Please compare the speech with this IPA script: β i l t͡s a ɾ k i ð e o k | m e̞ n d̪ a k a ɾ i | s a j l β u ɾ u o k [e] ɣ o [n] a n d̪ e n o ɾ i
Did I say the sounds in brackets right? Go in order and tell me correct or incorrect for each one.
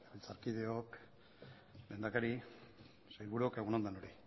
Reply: correct, correct

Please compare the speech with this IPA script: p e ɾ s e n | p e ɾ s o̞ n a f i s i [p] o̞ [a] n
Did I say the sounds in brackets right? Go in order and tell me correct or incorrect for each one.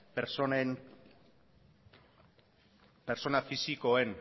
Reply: incorrect, incorrect

